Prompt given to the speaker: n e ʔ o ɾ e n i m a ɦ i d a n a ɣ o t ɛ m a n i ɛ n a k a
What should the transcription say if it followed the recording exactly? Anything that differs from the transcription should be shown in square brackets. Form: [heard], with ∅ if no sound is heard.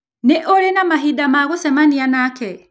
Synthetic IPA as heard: n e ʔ o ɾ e n [a] m a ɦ i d a [m] a ɣ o [s] ɛ m a n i [a] n a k [ɛ]